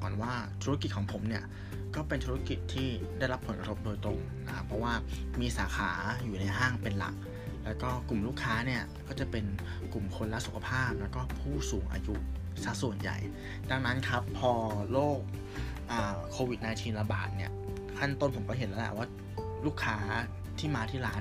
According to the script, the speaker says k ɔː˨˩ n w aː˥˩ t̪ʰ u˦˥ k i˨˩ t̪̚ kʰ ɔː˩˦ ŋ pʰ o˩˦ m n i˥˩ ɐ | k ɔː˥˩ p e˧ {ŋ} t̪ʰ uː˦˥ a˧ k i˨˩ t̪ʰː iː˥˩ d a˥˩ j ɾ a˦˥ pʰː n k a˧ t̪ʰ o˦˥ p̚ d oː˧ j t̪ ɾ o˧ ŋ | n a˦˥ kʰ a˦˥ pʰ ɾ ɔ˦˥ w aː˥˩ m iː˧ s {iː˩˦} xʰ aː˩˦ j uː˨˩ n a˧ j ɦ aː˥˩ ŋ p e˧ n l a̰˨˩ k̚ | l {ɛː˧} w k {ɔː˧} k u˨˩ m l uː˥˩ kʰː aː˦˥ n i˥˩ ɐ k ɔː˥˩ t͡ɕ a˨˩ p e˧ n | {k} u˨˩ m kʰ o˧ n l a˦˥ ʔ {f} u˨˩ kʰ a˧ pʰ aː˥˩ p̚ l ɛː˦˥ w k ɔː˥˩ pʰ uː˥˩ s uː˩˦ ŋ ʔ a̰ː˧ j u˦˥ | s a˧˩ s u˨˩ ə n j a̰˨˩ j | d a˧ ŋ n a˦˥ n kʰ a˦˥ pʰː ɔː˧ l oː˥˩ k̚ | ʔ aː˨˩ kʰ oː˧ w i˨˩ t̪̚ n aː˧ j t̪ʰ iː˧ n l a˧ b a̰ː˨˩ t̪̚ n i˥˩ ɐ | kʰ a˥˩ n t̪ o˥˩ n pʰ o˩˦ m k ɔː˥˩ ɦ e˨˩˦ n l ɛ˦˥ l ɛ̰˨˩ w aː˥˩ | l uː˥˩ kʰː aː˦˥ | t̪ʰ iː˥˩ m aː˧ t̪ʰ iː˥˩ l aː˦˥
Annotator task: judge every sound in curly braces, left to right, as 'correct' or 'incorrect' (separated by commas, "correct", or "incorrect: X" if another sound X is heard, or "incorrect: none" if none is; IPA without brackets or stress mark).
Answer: incorrect: n, incorrect: aː˩˦, incorrect: ɛː˦˥, incorrect: ɔː˥˩, correct, incorrect: s